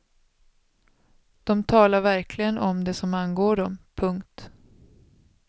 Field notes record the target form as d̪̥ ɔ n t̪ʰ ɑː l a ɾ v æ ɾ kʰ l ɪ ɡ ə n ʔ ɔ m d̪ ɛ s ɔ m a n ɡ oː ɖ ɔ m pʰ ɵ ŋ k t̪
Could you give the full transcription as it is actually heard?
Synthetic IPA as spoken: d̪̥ ɔ m t̪ʰ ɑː l a ɾ v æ ɾ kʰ l ɪ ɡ ə n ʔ ɔ m d̪ ɛ s ɔ m a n ɡ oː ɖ ɔ m pʰ ɵ ŋ k t̪

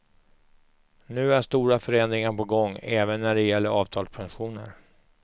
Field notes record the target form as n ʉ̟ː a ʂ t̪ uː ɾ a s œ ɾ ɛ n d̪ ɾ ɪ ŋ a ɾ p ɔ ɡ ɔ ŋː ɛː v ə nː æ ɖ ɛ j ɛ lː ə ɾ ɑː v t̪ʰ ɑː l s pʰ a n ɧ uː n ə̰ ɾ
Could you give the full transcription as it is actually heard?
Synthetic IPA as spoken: n ʉ̟ː æ ʂ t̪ uː ɾ a f œ ɾ ɛ n d̪ ɾ ɪ ŋ a ɾ p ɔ ɡ ɔ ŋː ɛː v ə nː æ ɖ ɛ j ɛ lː ə ɾ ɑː v t̪ʰ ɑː l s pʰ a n ɧ uː n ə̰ ɾ

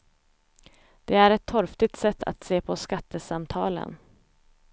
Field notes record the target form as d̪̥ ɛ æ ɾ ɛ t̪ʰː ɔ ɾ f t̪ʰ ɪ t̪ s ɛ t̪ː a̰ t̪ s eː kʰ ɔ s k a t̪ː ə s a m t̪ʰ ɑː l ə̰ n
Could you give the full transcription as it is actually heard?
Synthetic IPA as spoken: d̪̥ ɛ æ ɾ ɛ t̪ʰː ɔ ɾ f t̪ ɪ t̪ s ɛ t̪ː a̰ t̪ s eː pʰ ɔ s k a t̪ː ə s a m t̪ʰ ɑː l ə̰ n

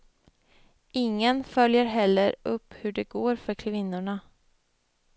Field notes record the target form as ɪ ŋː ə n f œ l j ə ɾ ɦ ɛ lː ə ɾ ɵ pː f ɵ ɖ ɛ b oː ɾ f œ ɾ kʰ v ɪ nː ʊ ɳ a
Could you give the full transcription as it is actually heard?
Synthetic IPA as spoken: ɪ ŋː ə n f œ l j ə ɾ ɦ ɛ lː ə ɾ ɵ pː h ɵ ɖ ɛ ɡ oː ɾ f œ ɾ kʰ v ɪ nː ʊ ɳ a

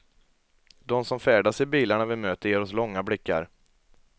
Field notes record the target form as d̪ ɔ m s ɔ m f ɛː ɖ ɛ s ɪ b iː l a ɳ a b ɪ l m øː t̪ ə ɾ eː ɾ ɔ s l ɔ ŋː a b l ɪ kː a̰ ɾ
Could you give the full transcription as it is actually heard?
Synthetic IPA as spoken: d̪ ɔ m s ɔ m f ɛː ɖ a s ɪ b iː l a ɳ a v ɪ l m øː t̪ ə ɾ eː ɾ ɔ s l ɔ ŋː a b l ɪ kː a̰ ɾ

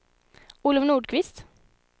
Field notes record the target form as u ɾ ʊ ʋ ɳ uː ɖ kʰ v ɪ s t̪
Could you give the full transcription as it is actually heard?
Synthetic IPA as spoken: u l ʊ ʋ n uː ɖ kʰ ʋ ɪ s t̪

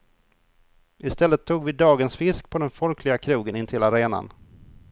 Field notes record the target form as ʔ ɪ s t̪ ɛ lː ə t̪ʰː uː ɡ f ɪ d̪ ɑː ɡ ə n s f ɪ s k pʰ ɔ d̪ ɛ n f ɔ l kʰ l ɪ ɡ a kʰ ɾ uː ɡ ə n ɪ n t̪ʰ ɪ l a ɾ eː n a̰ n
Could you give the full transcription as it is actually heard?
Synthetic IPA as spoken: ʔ ɪ s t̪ ɛ lː ə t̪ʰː uː ɡ v ɪ d̪ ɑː ɡ ə n s f ɪ s k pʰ ɔ d̪ ɛ n f ɔ l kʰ l ɪ ɡ a kʰ ɾ uː ɡ ə n ɪ n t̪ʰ ɪ l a ɾ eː n a̰ n

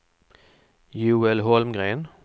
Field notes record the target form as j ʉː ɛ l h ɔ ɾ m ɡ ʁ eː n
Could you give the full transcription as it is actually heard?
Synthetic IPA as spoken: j ʉː ɛ l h ɔ l m ɡ ʁ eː n

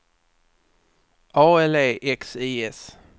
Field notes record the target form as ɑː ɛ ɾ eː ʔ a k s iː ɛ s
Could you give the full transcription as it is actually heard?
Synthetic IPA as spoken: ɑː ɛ l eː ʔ ɛ k s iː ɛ s

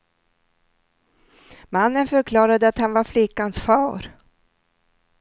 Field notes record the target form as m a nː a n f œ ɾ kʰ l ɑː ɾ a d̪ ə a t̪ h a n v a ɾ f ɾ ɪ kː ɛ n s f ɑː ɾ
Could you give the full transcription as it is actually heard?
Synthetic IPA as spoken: m a nː ə n f œ ɾ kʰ l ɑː ɾ a d̪ ə a t̪ h a n v a ɾ f l ɪ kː a n s f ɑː ɾ

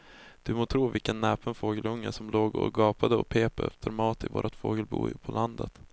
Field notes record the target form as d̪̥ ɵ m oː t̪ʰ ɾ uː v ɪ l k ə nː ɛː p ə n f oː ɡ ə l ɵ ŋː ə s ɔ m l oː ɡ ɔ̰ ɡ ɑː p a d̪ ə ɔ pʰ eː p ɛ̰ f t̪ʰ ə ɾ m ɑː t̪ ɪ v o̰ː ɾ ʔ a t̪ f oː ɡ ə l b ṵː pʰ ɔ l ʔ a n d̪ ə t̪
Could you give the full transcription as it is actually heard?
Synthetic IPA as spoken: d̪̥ ɵ m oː t̪ʰ ɾ uː v ɪ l k ə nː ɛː p ə n f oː ɡ ə l ɵ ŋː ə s ɔ m l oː ɡ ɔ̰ ɡ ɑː p a d̪ ə ɔ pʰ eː p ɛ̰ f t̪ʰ ə ɾ m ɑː t̪ ɪ v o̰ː ɾ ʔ a t̪ f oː ɡ ə l b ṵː pʰ ɔ l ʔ a n d̪ ə t̪

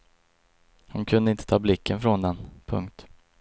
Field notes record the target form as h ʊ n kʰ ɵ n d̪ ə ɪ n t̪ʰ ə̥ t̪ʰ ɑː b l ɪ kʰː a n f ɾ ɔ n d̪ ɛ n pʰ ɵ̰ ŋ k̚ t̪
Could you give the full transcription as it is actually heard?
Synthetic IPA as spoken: h ʊ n kʰ ɵ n d̪ ə ɪ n t̪ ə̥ t̪ʰ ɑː b l ɪ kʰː ə n f ɾ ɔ n d̪ ɛ n pʰ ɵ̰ ŋ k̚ t̪

